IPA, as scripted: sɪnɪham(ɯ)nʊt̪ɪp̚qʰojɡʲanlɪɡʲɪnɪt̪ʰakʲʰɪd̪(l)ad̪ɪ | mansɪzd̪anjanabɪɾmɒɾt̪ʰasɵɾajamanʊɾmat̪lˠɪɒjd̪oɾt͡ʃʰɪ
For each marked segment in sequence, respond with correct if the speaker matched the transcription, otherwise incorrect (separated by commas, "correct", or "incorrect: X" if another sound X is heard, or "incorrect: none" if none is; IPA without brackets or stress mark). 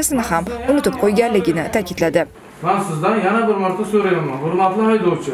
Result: incorrect: ʊ, correct